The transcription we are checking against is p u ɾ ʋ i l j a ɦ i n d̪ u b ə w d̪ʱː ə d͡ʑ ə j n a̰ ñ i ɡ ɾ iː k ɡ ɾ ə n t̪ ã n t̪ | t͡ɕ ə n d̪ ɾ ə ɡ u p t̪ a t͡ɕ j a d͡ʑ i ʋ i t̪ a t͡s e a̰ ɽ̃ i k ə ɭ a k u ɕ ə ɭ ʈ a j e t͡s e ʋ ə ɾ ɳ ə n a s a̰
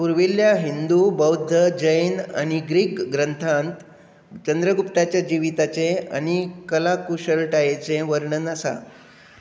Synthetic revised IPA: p u ɾ ʋ i l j a ɦ i n d̪ u b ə w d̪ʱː ə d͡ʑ ə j n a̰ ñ i ɡ ɾ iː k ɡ ɾ ə n t̪ʰ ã n t̪ | t͡ɕ ə n d̪ ɾ ə ɡ u p t̪ a t͡ɕ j a d͡ʑ i ʋ i t̪ a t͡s e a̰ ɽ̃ i k ə l a k u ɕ ə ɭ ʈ a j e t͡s e ʋ ə ɾ ɳ ə n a s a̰